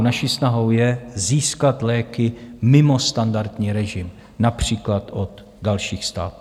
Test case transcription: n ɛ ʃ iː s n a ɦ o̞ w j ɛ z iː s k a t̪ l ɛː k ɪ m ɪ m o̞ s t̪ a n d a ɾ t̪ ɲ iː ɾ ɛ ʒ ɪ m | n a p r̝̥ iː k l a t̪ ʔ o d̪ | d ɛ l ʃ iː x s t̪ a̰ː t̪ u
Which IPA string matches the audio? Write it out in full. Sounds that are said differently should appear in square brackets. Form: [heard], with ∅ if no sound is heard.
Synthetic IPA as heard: n [a] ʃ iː s n a ɦ o̞ w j ɛ z iː s k a t̪ l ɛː k ɪ m ɪ m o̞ s t̪ a n d a ɾ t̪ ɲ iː ɾ ɛ ʒ ɪ m | n a p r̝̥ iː k l a t̪ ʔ o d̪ | d [a] l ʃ iː x s t̪ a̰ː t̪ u